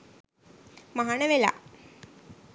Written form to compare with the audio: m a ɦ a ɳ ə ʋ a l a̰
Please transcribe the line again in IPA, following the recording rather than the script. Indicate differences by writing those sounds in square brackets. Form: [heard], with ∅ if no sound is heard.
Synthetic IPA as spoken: m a ɦ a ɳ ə ʋ [e] l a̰